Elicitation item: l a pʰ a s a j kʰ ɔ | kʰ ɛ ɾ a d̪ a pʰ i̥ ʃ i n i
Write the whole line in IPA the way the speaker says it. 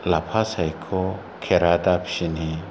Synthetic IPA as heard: l a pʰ a s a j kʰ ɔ | kʰ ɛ ɾ a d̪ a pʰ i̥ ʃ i n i